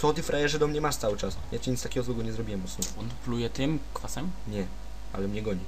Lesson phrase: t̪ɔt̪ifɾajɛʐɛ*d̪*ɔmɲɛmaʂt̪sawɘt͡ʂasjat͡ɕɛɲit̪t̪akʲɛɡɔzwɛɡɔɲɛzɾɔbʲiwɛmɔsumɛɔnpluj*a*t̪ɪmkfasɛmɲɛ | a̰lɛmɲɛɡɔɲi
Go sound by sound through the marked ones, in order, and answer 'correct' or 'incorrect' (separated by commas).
correct, incorrect